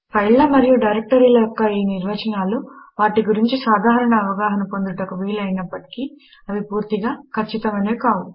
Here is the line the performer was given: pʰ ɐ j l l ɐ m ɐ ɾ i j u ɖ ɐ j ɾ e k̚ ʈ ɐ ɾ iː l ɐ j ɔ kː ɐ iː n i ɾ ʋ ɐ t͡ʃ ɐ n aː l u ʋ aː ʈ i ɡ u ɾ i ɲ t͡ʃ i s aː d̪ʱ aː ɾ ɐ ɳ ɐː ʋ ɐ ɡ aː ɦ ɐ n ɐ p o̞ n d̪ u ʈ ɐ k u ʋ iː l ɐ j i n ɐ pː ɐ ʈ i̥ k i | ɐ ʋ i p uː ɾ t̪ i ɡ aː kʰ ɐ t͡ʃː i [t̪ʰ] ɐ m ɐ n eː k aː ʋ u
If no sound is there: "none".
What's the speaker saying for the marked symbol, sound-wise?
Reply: t̪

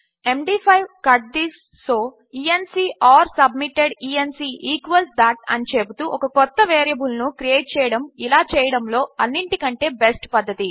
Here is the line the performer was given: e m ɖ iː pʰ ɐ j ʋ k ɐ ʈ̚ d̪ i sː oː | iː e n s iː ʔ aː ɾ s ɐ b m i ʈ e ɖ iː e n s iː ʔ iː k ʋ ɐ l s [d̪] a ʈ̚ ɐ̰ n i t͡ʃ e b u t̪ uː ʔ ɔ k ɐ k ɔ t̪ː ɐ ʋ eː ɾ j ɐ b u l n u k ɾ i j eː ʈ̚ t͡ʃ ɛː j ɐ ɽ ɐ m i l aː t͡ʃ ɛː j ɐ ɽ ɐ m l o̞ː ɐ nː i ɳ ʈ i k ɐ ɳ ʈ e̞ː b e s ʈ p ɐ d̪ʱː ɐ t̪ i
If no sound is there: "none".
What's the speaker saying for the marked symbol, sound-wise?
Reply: d̪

